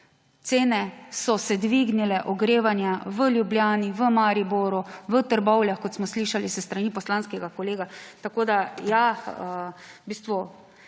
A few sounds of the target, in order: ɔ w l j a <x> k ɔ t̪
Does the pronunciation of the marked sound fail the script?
no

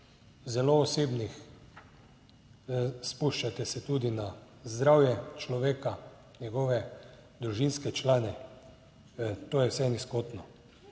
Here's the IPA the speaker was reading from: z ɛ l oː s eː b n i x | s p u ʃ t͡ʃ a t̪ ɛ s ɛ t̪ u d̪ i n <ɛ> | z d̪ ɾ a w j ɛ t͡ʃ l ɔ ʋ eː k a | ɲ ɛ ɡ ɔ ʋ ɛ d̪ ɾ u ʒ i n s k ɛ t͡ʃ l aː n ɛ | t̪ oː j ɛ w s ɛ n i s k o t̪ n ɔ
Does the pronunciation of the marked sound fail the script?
yes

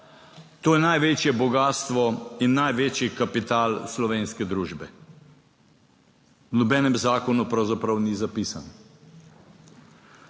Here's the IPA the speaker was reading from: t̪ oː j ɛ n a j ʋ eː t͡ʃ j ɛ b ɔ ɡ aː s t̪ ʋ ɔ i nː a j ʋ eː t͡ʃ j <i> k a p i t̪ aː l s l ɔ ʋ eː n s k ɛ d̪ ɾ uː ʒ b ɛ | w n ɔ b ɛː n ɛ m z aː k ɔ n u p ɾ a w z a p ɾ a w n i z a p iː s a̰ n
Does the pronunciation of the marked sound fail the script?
no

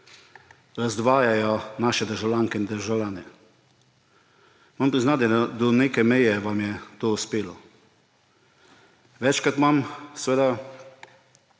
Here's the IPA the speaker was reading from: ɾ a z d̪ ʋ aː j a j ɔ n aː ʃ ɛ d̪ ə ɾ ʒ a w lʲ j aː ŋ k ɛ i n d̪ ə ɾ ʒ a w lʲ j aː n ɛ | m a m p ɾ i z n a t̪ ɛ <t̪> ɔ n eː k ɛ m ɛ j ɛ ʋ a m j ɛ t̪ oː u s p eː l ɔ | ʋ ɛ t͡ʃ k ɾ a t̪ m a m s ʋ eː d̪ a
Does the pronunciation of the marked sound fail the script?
yes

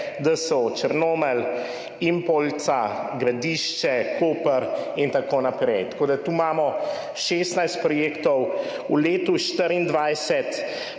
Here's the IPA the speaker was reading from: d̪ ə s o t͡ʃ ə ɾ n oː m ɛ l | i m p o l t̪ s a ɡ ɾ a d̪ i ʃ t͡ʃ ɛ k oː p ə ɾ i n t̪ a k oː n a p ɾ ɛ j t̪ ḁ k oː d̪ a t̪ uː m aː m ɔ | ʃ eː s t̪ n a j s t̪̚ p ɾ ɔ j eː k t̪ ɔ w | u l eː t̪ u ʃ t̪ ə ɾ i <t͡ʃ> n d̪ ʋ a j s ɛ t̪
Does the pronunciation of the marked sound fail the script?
yes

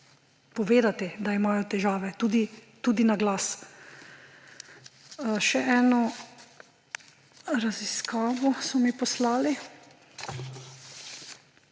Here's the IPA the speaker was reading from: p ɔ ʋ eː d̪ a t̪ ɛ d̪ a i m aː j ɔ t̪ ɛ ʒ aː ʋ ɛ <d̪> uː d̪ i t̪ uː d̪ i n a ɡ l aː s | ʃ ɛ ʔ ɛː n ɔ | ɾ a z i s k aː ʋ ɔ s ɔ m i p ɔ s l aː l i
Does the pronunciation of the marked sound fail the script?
yes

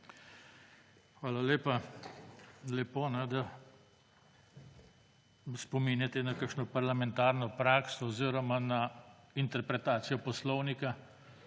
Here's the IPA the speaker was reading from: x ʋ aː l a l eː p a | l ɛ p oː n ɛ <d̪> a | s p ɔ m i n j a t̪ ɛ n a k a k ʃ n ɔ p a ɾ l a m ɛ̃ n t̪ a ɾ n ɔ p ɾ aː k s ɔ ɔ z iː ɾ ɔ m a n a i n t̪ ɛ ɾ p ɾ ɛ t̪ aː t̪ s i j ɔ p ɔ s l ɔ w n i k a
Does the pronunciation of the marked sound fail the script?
no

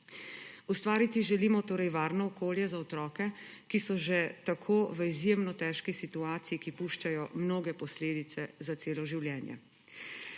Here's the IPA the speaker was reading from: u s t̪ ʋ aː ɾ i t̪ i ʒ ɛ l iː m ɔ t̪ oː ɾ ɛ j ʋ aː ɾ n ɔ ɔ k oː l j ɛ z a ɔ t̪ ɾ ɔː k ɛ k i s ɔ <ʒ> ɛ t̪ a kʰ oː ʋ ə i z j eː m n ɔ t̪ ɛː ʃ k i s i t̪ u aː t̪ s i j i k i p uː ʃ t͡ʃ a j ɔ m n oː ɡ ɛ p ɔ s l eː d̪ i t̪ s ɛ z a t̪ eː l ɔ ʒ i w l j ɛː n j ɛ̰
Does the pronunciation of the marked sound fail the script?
no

